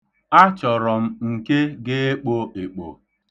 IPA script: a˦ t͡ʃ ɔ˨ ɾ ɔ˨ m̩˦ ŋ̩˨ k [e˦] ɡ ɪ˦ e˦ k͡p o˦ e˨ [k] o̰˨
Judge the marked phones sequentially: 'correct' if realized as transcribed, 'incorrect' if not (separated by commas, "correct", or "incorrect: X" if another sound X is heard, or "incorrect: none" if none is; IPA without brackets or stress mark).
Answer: correct, incorrect: k͡p